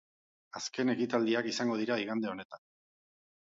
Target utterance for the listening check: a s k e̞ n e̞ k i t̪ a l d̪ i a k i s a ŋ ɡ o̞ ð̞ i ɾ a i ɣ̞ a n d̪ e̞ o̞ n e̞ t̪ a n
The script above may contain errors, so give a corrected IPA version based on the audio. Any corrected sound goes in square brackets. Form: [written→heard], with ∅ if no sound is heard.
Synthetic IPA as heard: a s k e̞ n e̞ k i t̪ a l d̪ i a k i s a ŋ ɡ o̞ ð̞ i ɾ a i ɣ̞ a n d̪ e̞ o̞ n e̞ t̪ a n